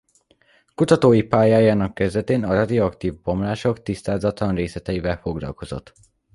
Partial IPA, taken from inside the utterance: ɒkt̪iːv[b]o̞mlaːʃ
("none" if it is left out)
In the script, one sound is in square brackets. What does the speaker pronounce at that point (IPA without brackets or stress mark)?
b